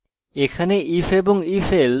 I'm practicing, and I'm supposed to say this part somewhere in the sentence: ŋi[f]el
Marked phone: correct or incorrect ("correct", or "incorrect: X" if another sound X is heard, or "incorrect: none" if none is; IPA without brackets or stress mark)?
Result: correct